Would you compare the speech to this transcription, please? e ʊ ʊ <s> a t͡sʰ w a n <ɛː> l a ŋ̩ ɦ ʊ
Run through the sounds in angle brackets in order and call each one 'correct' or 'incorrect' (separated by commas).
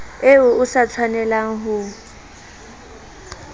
correct, incorrect